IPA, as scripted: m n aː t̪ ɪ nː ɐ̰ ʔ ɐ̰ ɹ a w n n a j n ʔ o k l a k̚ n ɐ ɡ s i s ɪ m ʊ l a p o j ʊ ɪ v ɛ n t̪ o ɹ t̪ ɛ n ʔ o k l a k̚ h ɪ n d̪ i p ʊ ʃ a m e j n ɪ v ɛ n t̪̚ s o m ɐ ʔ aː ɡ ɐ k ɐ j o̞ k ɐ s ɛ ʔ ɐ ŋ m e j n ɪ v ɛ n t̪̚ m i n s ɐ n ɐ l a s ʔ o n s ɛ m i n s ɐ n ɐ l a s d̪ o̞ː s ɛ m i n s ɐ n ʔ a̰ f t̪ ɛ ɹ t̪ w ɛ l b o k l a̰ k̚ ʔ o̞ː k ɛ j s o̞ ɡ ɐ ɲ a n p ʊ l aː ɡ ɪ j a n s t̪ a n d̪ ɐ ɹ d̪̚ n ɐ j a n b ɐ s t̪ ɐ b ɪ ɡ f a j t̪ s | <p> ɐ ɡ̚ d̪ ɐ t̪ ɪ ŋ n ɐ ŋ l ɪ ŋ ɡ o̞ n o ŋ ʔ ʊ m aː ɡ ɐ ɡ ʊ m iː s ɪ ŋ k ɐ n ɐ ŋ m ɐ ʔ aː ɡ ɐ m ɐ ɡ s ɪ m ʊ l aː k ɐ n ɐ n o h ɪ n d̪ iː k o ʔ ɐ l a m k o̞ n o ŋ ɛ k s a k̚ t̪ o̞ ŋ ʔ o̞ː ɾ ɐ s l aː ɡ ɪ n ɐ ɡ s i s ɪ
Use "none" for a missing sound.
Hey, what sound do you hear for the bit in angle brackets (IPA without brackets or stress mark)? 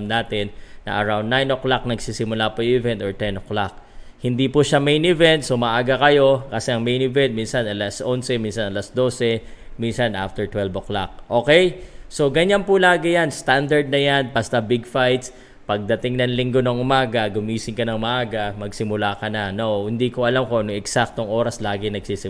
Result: p